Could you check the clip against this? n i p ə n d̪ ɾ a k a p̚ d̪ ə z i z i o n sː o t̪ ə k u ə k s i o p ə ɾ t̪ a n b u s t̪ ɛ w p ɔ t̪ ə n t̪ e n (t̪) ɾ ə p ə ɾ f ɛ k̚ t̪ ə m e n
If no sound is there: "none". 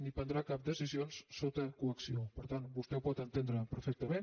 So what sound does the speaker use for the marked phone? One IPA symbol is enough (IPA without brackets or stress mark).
d̪